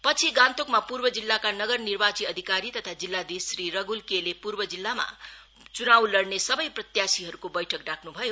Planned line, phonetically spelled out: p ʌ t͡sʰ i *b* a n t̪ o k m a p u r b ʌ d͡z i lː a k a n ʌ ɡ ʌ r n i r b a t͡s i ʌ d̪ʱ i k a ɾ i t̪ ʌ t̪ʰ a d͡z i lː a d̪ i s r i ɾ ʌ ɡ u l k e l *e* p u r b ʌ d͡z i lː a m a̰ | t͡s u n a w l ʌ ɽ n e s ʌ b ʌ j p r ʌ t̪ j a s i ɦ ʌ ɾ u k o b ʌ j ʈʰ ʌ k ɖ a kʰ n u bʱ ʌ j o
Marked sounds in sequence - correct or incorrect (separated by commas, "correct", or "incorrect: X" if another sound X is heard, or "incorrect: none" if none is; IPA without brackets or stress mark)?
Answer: incorrect: ɡ, correct